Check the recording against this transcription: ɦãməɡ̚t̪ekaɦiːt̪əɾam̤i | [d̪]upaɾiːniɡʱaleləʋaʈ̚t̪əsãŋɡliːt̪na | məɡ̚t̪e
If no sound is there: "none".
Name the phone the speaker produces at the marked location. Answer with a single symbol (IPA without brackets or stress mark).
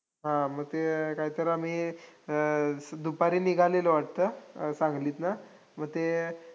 d̪